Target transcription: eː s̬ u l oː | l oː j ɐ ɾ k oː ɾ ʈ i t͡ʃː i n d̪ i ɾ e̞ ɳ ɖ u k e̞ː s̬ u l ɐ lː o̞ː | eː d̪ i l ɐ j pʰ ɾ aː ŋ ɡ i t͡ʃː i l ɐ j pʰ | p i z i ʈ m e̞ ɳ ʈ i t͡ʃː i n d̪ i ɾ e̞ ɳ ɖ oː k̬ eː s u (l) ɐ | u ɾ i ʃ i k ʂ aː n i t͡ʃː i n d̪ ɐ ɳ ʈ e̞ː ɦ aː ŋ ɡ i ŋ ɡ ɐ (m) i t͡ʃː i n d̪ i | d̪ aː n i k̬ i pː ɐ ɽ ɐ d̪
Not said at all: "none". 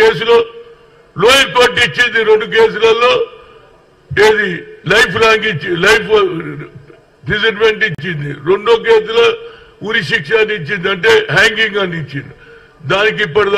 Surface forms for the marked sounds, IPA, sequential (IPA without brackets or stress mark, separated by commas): l, n